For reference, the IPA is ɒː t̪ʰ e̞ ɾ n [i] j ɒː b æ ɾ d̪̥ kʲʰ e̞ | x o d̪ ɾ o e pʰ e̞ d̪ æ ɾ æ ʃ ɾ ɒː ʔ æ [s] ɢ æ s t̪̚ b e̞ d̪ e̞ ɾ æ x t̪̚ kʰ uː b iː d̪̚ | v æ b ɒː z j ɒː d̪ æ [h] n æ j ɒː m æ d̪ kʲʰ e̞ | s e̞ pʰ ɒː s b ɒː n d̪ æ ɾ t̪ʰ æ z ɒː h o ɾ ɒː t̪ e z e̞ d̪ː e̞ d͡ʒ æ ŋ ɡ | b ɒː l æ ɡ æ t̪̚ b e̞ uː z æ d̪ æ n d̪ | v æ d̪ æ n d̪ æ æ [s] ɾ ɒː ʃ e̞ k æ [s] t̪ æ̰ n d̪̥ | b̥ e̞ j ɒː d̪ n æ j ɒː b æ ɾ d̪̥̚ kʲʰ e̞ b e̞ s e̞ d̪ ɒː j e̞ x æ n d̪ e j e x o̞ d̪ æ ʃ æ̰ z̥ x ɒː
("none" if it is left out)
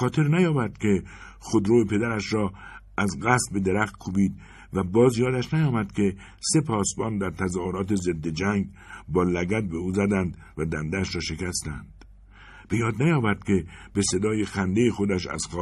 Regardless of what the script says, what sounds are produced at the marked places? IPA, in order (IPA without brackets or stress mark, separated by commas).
æ, z, ʃ, ʃ, s